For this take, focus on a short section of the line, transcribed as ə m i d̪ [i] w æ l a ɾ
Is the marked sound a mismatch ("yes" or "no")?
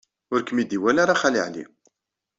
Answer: no